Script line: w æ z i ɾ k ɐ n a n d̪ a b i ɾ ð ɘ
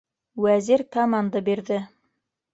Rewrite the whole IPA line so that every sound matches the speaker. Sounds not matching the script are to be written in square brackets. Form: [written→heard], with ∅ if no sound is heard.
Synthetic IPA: w æ z i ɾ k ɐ [n→m] a n d̪ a b i ɾ ð ɘ